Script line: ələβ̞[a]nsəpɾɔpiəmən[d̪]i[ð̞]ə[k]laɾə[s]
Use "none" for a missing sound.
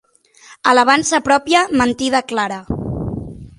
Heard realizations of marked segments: a, t̪, ð̞, k, none

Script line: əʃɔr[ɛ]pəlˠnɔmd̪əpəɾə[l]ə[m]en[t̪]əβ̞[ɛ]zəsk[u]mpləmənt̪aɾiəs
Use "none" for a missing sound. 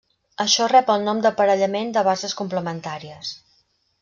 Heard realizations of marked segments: ɛ, ʎ, m, d̪, a, u

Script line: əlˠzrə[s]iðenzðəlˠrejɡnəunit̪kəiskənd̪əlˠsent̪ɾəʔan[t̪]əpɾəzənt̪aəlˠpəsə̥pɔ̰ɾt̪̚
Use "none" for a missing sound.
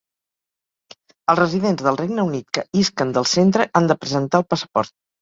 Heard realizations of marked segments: z, d̪

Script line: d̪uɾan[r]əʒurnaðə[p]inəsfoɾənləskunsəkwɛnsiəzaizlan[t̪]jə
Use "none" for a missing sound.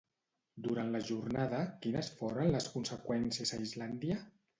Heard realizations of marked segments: l, k, d̪

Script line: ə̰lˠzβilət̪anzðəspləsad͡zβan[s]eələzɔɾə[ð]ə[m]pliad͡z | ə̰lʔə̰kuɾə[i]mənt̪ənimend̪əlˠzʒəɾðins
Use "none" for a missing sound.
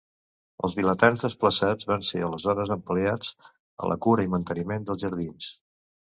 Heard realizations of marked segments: s, z, m, i

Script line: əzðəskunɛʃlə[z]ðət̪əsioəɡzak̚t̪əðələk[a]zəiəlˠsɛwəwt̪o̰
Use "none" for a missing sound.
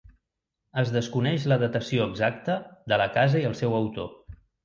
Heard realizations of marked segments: none, a

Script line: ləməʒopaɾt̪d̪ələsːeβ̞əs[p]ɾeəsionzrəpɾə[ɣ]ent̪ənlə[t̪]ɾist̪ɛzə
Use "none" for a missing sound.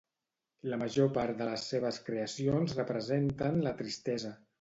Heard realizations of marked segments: k, z, t̪

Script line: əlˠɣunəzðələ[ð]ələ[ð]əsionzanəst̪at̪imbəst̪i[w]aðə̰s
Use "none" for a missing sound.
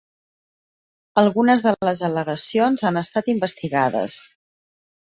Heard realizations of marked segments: z, ɣ, ɣ

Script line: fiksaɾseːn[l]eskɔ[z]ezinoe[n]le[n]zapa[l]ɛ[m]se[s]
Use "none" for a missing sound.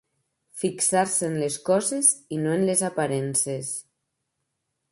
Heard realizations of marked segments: l, z, n, none, ɾ, n, s

